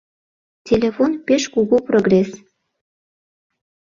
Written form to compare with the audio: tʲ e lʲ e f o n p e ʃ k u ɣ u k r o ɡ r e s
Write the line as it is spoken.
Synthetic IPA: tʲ e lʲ e f o n p e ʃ k u ɣ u p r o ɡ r e s